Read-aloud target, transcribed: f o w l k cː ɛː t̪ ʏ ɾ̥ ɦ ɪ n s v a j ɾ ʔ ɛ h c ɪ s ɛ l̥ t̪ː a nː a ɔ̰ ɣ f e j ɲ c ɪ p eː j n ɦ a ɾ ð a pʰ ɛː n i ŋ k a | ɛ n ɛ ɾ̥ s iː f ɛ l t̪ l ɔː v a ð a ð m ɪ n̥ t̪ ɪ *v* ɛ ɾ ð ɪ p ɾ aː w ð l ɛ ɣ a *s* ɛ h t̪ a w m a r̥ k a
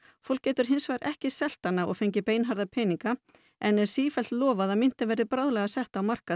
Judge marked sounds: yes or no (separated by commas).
yes, yes